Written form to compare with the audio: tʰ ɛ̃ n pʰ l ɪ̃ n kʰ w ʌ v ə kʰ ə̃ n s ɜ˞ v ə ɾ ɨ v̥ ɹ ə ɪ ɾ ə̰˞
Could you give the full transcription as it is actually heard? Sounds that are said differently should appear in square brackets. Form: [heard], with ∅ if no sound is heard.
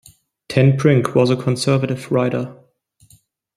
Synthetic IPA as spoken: tʰ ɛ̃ n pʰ [ɹ] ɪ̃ [ŋ] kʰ w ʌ [z] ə kʰ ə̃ n s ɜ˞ v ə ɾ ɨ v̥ ɹ [a] ɪ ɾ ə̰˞